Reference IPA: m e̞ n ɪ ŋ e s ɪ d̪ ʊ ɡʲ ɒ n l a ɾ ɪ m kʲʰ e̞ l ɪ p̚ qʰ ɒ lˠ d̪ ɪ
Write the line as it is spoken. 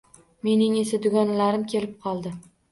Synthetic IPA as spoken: m e̞ n ɪ ŋ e s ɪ d̪ ʊ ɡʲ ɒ n l a ɾ ɪ m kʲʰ e̞ l ɪ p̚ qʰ ɒ lˠ d̪ ɪ

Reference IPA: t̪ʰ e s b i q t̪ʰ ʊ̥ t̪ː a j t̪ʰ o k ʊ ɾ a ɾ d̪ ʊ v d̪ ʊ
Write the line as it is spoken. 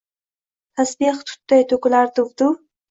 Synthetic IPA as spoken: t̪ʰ a s b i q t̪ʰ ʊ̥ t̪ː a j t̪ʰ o k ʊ l a ɾ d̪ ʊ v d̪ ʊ

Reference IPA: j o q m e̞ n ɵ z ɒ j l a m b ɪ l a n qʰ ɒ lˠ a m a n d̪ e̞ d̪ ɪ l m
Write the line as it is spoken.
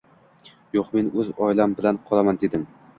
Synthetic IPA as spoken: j o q m e̞ n ɵ z ɒ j l a m b ɪ l a n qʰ ɒ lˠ a m a n d̪ e̞ d̪ ɪ m

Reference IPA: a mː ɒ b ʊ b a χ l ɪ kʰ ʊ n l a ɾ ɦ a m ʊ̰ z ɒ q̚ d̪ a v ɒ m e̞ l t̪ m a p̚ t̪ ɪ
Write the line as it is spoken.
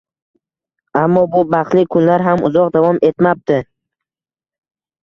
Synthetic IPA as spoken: a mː ɒ b ʊ b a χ l ɪ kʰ ʊ n l a ɾ ɦ a m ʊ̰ z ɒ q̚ d̪ a v ɒ m e̞ t̪ m a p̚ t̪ ɪ

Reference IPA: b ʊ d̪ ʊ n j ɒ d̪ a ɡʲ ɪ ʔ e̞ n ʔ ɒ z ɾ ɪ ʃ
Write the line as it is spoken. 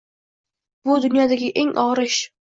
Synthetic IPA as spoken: b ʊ d̪ ʊ n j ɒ d̪ a ɡʲ ɪ ʔ e̞ ŋ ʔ ɒ ʁ ɾ ɪ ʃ

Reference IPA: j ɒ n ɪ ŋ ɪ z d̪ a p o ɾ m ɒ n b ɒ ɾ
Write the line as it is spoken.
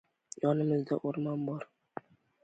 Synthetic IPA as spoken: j ɒ n ɪ m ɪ z d̪ a ʔ o ɾ m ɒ n b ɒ ɾ

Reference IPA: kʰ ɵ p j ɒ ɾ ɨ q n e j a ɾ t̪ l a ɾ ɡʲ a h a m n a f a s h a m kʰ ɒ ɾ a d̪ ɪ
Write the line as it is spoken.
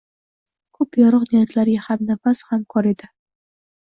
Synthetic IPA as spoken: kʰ ɵ p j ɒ ɾ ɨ q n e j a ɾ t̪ l a ɾ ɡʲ a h a m n a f a s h a m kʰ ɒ ɾ e d̪ ɪ

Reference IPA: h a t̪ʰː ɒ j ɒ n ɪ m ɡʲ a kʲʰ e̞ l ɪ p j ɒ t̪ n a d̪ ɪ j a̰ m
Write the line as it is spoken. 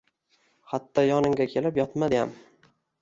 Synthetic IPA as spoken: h a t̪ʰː ɒ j ɒ n ɪ ŋ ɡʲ a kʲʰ e̞ l ɪ p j ɒ t̪ m a d̪ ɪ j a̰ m

